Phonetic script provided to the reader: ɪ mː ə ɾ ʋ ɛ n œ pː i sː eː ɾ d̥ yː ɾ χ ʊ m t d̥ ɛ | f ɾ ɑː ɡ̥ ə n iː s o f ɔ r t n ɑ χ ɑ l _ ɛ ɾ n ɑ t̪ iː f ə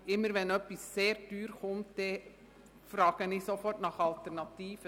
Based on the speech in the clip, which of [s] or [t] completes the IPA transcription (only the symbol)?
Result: t